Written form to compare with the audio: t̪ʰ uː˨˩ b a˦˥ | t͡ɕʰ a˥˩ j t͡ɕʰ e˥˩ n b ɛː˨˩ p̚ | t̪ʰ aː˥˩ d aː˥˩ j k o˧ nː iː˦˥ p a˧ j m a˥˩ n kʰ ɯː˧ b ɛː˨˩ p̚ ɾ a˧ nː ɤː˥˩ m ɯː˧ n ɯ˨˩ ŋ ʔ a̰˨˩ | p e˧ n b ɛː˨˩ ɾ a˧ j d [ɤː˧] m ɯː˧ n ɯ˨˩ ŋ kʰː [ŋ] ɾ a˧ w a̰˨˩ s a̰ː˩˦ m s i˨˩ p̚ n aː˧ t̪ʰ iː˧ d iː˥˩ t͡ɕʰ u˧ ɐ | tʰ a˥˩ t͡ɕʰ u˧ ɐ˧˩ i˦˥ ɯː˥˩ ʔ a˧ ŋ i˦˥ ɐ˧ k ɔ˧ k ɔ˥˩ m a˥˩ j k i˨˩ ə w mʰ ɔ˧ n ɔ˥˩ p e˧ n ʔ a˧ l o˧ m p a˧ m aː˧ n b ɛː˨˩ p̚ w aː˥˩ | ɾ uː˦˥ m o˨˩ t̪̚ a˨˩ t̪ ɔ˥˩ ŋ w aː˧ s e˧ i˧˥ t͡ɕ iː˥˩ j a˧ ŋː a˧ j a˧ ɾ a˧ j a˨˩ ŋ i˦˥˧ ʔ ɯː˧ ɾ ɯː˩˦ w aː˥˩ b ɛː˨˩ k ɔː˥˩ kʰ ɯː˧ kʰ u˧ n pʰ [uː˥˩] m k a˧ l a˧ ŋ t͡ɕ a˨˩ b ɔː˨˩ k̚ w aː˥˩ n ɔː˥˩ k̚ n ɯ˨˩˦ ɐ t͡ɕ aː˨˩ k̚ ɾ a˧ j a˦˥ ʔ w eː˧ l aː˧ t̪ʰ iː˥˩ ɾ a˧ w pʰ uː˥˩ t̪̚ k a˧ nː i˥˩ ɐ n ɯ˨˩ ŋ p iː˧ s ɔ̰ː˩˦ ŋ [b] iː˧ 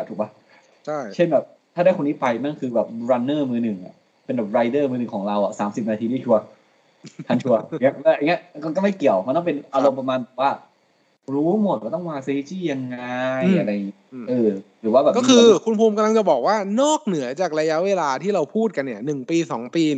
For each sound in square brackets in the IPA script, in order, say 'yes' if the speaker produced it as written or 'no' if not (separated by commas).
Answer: no, yes, no, no